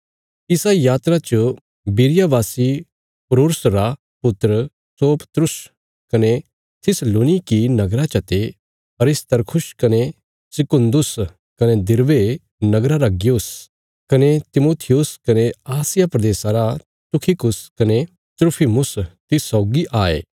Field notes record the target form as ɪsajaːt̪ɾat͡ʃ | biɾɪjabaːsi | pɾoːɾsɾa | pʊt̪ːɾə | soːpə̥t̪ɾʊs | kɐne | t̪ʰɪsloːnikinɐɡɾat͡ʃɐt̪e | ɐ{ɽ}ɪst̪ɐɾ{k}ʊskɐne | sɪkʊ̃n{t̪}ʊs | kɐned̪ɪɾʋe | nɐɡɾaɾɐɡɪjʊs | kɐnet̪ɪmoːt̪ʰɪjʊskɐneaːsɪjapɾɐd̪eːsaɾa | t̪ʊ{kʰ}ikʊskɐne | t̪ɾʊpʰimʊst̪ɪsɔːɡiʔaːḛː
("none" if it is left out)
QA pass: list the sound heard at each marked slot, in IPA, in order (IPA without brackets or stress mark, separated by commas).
ɾ, kʰ, d̪, kʰ